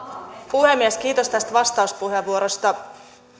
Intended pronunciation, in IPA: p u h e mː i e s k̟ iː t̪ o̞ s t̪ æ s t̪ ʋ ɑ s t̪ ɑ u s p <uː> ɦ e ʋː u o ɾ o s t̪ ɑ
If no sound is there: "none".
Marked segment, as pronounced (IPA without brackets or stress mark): u